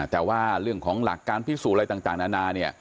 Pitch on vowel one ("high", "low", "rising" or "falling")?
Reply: low